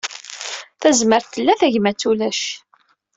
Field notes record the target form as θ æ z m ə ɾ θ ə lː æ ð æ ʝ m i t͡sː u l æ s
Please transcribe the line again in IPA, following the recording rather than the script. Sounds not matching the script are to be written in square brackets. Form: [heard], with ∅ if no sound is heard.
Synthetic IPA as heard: θ æ z m ə ɾ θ ə lː æ [θ] æ ʝ m [æ] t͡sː u l æ [ʃ]

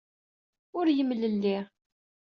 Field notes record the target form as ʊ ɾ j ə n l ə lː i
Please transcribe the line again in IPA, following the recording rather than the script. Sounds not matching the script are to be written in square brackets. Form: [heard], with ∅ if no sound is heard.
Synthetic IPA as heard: ʊ ɾ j ə [m] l ə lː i

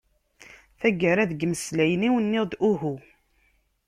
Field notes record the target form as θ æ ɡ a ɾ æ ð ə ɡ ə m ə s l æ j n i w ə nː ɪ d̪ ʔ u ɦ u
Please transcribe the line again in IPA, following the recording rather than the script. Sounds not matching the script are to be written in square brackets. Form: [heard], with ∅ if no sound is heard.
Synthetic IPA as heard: θ æ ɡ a ɾ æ ð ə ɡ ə m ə s l æ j n i w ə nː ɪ d̪ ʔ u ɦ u

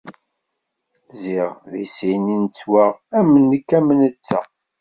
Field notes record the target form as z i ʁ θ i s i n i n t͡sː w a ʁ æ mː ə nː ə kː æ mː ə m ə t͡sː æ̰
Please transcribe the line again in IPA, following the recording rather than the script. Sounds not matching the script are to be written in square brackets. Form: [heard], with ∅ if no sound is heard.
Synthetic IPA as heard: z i ʁ [ð] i s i n i n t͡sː w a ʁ æ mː ə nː ə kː æ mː ə [n] ə t͡sː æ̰

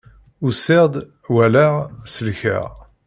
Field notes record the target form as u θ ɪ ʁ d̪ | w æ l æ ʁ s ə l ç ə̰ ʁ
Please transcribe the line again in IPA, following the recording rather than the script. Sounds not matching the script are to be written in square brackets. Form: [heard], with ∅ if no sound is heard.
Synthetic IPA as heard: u [s] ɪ ʁ d̪ | w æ l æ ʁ s ə l ç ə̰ ʁ

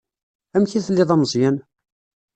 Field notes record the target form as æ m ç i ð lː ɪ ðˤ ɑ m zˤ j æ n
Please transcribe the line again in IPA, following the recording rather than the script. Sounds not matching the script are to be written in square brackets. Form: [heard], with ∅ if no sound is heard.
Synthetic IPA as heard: æ m ç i [θ] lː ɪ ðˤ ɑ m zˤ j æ n

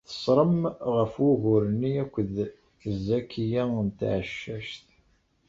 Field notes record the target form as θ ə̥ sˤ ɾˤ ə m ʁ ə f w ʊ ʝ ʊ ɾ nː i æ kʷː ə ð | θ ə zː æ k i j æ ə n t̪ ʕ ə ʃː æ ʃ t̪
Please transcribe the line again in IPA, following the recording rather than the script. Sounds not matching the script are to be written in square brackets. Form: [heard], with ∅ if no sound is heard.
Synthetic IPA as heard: θ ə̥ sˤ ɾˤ ə m ʁ ə f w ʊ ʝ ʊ ɾ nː i æ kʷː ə ð | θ ə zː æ k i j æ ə n t̪ ʕ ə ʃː æ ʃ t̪

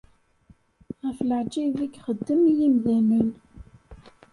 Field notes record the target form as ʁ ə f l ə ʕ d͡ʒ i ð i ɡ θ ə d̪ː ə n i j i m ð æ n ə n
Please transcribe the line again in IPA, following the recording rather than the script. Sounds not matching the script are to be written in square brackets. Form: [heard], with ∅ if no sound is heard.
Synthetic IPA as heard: ʁ ə f l ə ʕ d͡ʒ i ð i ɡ [χ] ə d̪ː ə [m] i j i m ð æ n ə n

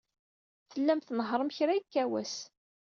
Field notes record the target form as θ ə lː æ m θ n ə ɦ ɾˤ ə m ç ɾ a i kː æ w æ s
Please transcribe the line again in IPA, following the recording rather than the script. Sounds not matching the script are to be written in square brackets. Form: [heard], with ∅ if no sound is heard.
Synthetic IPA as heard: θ ə lː æ m θ n ə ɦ ɾˤ ə m ç ɾ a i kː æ w æ s

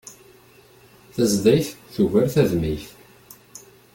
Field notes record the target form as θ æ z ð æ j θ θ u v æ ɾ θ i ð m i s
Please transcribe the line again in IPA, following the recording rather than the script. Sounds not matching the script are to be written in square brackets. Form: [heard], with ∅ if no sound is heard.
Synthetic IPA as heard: θ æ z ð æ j θ θ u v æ ɾ θ [æ] ð m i [θ]

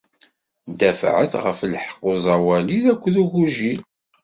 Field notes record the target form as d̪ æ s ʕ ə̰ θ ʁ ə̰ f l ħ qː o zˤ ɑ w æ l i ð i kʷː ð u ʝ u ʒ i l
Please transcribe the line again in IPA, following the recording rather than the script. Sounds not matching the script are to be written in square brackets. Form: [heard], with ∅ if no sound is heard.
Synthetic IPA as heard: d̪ æ [f] ʕ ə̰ θ ʁ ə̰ f l ħ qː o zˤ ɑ w æ l i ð [æ] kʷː ð u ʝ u ʒ i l

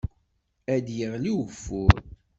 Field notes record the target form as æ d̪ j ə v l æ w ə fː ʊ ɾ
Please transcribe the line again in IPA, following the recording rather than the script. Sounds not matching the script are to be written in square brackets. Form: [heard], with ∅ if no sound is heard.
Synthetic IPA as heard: æ d̪ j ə [ʁ] l [i] w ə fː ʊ ɾ

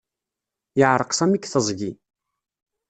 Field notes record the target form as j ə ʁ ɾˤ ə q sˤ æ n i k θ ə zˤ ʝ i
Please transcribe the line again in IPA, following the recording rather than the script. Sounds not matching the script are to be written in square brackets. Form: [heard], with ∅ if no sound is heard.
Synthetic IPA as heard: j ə [ʕ] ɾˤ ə q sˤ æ [m] i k θ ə zˤ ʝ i

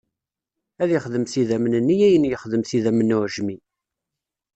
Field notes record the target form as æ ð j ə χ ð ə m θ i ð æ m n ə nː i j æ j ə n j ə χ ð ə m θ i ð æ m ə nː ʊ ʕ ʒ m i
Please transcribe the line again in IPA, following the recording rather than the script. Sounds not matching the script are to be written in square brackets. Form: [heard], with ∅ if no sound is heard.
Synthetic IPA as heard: æ ð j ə χ ð ə m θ i ð æ m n ə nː i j æ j ə n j ə χ ð ə m θ i ð æ m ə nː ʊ ʕ ʒ m i

